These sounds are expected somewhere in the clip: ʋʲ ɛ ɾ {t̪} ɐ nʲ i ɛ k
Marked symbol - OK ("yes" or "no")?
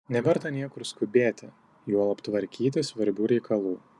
yes